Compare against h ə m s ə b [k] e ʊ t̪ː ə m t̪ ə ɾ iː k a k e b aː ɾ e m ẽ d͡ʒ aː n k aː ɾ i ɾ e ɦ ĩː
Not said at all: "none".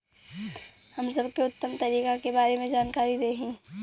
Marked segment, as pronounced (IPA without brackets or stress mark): k